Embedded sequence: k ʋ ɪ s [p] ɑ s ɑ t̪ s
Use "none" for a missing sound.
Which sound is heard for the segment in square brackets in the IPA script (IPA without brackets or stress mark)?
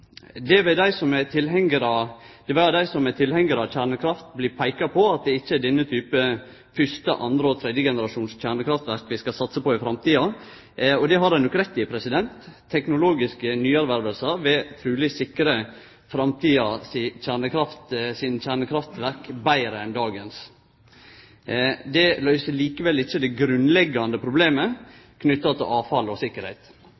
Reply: k